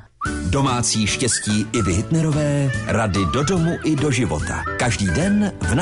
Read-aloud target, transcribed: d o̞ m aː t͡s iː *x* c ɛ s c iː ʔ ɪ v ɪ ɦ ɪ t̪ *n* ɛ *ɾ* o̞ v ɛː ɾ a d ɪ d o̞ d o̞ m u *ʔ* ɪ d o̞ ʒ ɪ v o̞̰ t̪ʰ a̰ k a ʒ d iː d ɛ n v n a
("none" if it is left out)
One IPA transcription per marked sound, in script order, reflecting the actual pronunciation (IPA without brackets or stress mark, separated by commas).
ʃ, n, ɾ, ʔ